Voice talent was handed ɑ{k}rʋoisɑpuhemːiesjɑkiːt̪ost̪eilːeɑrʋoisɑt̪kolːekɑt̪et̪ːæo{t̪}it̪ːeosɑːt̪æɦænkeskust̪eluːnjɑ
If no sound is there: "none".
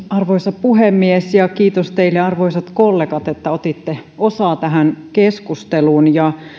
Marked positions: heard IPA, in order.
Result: none, t̪

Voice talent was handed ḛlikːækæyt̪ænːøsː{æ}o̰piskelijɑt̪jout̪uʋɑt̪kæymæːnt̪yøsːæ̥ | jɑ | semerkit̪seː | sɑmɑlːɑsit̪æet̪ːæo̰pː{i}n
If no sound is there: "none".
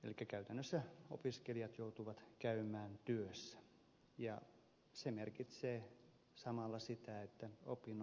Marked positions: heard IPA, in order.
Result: æ, i

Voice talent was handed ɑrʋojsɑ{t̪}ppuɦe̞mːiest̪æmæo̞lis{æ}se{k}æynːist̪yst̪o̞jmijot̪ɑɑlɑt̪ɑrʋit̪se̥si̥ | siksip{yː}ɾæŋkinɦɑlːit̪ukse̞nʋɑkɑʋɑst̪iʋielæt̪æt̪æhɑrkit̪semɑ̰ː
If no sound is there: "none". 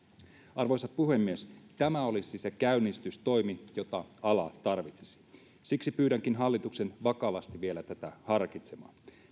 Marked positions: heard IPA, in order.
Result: none, i, k, yː

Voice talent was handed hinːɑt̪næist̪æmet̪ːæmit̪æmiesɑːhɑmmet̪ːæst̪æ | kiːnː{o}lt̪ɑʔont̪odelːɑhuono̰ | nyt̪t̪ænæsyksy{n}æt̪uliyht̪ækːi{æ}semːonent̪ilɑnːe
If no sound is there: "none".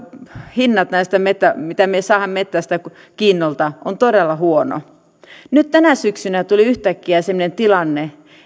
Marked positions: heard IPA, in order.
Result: o, n, æ

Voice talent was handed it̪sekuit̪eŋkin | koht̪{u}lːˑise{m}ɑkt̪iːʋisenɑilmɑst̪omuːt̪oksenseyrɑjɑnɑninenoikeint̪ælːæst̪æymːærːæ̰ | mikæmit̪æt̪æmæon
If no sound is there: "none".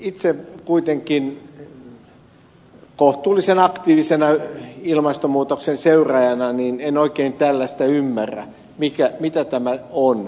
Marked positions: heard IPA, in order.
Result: uː, n

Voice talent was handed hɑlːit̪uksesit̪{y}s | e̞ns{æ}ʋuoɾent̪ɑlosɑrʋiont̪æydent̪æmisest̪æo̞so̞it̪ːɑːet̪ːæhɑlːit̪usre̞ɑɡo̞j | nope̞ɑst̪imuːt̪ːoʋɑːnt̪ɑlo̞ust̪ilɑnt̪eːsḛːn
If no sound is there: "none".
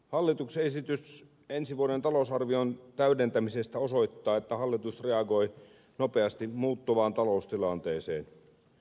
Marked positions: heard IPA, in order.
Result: y, i

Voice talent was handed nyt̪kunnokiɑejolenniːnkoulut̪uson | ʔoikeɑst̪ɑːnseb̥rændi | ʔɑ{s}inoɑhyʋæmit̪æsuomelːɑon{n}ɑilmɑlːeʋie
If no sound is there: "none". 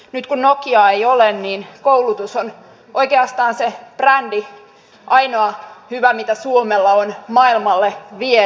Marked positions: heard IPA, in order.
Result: none, m

